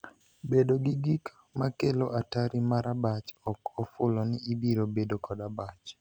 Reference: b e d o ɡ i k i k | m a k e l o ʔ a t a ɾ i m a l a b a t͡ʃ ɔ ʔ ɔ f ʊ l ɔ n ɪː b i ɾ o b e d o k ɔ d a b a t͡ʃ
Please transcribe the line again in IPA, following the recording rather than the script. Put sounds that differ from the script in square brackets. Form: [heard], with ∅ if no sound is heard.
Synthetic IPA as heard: b e d o ɡ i [ɡ] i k | m a k e l o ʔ a t a ɾ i m a [ɾ] a b a t͡ʃ ɔ [k] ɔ f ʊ l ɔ n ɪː b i ɾ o b e d o k ɔ d a b a t͡ʃ